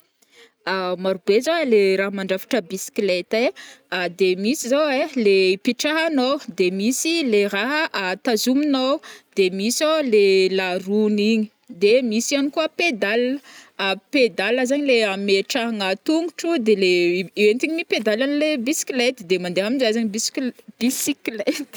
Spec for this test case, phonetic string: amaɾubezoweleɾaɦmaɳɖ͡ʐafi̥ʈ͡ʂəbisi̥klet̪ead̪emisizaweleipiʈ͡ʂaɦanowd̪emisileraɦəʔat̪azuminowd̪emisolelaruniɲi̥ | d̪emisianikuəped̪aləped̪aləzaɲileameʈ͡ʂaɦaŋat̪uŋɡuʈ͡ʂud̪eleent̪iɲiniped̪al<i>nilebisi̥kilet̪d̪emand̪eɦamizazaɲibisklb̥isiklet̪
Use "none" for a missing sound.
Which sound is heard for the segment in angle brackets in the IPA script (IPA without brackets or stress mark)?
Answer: a